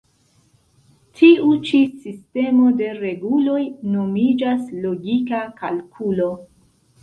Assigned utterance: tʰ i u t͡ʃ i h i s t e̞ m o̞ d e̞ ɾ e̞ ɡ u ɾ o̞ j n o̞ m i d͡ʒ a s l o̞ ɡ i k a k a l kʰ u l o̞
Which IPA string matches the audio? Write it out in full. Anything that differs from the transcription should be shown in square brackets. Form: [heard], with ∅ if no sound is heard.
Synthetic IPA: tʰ i u t͡ʃ i [s] i s t e̞ m o̞ d e̞ ɾ e̞ ɡ u [l] o̞ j n o̞ m i d͡ʒ a s l o̞ ɡ i k a k a l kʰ u l o̞